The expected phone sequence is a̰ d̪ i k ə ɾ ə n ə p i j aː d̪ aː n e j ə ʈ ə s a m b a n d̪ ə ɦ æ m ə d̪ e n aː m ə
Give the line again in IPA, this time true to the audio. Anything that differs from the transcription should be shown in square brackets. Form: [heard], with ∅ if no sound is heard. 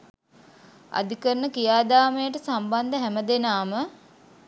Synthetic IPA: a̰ d̪ i k ə ɾ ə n ə [k] i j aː d̪ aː [m] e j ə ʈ ə s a m b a n d̪ ə ɦ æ m ə d̪ e n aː m ə